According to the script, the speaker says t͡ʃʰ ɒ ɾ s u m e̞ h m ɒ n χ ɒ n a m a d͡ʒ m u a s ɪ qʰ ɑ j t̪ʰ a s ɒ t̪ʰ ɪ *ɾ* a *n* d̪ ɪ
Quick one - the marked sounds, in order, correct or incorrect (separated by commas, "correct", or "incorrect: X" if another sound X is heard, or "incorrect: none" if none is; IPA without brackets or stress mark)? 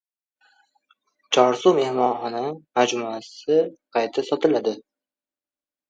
incorrect: l, incorrect: none